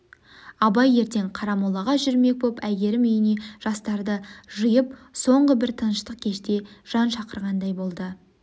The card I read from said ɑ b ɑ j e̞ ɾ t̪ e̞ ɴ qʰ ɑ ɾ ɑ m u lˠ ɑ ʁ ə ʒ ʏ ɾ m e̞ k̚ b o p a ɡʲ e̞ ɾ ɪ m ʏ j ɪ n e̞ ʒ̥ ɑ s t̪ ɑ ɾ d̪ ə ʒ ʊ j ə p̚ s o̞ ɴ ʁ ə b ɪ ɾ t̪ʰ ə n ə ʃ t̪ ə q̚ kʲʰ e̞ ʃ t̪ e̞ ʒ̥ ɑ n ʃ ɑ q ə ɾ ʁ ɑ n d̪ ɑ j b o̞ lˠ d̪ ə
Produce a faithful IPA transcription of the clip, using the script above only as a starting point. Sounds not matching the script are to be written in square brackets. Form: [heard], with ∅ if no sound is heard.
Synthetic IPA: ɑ b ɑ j e̞ ɾ t̪ e̞ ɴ qʰ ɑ ɾ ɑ m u lˠ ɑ ʁ [ɑ] ʒ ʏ ɾ m e̞ k̚ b o p [æ] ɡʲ e̞ ɾ ɪ m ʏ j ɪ n e̞ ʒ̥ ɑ s t̪ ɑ ɾ d̪ ə ʒ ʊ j ə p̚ s o̞ ɴ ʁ ə b ɪ ɾ t̪ʰ ə n ə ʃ t̪ ə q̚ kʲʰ e̞ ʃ t̪ e̞ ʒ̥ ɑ n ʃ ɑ q ə ɾ ʁ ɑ n d̪ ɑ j b o̞ lˠ d̪ ə